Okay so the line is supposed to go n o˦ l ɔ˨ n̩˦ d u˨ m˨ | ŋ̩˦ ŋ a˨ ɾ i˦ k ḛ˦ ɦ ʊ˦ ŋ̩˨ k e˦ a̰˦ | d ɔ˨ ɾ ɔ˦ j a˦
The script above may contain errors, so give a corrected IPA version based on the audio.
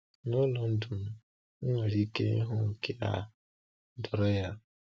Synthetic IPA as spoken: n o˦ l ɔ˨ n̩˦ d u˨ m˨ | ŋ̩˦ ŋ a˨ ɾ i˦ k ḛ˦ ɦ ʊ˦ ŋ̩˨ k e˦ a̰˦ | d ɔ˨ ɾ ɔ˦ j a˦